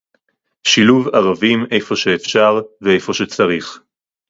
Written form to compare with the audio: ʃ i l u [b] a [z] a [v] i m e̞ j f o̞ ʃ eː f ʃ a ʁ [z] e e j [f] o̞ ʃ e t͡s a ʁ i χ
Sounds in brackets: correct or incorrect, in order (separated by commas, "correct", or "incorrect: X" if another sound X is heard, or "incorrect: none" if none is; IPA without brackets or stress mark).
incorrect: v, incorrect: ʁ, correct, incorrect: v, correct